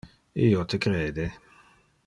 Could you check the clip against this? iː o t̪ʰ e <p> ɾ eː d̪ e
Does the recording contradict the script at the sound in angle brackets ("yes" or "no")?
yes